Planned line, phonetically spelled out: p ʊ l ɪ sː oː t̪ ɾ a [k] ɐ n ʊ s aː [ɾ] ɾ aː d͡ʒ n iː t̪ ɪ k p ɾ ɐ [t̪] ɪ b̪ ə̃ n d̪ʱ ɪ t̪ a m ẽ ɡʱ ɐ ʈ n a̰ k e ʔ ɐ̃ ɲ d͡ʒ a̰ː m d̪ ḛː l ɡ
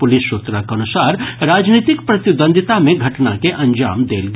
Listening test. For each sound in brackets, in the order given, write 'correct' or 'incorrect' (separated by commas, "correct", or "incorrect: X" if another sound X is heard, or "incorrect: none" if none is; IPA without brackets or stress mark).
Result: correct, correct, correct